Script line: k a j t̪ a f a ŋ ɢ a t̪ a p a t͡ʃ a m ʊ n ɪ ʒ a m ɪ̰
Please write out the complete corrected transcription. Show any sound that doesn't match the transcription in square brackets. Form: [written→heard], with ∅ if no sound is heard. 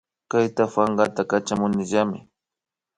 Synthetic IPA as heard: k a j t̪ a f a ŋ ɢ a t̪ a [p→k] a t͡ʃ a m ʊ n ɪ ʒ a m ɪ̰

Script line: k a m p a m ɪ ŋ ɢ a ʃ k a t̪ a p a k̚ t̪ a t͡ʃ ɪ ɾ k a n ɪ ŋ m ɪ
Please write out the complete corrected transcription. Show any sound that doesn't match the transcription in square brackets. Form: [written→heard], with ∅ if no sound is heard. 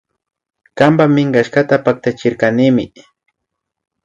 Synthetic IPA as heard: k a m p a m ɪ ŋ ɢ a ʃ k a t̪ a p a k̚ t̪ a t͡ʃ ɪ ɾ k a n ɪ [ŋ→∅] m ɪ

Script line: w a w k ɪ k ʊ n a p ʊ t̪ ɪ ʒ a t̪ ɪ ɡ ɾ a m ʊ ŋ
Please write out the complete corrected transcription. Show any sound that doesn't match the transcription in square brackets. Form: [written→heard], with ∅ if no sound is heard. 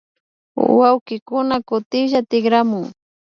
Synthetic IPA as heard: w a w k ɪ k ʊ n a [p→k] ʊ t̪ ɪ ʒ a t̪ ɪ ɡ ɾ a m ʊ ŋ

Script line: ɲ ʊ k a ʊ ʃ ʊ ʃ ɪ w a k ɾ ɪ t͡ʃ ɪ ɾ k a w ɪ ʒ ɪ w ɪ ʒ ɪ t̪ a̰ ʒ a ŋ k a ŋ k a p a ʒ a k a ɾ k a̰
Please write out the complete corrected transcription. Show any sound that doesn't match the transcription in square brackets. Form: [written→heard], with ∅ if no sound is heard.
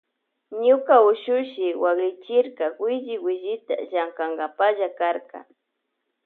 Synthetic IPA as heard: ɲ ʊ k a ʊ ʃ ʊ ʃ ɪ w a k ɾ ɪ t͡ʃ ɪ ɾ k a w ɪ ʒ ɪ w ɪ ʒ ɪ t̪ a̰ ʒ a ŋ k a ŋ [k→ɡ] a p a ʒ a k a ɾ k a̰

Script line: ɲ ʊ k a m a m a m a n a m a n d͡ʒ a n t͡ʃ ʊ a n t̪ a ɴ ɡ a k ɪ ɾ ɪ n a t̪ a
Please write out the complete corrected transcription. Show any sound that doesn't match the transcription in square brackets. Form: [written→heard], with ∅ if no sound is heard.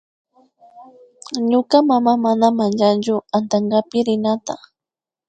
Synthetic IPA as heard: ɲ ʊ k a m a m a m a n a m a n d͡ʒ a n t͡ʃ ʊ a n t̪ a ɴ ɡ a [k→p] ɪ ɾ ɪ n a t̪ a

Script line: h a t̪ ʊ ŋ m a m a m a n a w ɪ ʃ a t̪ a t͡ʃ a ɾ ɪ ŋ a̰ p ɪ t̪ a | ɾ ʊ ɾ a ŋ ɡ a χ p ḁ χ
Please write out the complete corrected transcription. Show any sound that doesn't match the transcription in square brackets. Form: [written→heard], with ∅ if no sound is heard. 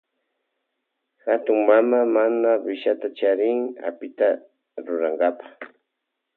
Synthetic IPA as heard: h a t̪ ʊ ŋ m a m a m a n a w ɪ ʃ a t̪ a t͡ʃ a ɾ ɪ ŋ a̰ p ɪ t̪ a | ɾ ʊ ɾ a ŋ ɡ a [χ→∅] p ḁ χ

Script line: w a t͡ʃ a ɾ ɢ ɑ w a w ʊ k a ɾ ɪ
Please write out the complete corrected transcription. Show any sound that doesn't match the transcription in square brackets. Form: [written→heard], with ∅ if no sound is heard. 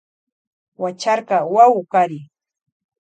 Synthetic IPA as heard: w a t͡ʃ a ɾ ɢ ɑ w a w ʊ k a ɾ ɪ

